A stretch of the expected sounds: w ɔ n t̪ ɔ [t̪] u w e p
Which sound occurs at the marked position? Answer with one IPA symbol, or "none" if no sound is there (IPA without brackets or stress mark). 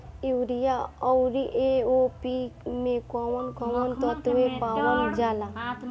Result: t̪